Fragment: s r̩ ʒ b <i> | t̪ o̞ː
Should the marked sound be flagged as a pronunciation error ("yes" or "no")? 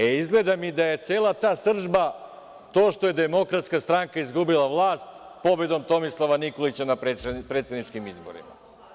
yes